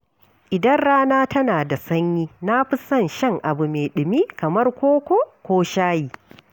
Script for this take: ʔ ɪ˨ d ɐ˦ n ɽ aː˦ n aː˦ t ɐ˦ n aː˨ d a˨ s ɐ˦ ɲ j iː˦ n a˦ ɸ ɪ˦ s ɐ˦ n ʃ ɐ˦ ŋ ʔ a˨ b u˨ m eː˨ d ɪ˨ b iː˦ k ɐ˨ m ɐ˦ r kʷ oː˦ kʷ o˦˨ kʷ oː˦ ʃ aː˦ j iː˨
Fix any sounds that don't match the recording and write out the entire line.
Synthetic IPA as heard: ʔ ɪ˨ d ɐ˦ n ɽ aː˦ n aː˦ t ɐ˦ n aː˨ d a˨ s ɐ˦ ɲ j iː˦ n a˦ ɸ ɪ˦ s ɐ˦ n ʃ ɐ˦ ŋ ʔ a˨ b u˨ m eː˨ ɗ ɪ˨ m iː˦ k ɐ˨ m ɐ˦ r kʷ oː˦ kʷ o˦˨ kʷ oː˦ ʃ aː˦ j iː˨